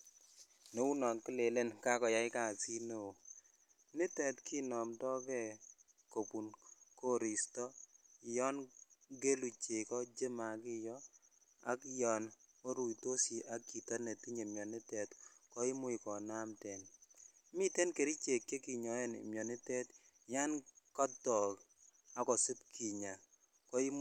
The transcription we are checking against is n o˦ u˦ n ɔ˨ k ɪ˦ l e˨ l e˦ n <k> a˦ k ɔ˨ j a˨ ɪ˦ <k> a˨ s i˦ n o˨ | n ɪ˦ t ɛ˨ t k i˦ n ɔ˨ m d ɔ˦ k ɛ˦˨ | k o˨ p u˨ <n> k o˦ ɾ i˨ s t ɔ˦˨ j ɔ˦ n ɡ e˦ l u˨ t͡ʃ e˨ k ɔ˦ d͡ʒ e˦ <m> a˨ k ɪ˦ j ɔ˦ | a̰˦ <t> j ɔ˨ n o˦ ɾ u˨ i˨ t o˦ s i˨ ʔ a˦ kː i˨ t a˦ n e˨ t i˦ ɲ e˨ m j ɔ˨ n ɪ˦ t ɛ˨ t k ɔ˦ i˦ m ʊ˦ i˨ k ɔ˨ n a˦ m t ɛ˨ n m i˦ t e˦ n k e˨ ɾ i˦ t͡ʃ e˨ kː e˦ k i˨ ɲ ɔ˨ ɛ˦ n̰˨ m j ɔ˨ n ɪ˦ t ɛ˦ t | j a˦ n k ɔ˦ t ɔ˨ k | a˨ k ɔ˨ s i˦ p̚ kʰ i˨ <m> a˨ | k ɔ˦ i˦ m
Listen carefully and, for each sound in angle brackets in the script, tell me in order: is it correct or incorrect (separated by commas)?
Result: correct, correct, correct, correct, incorrect, incorrect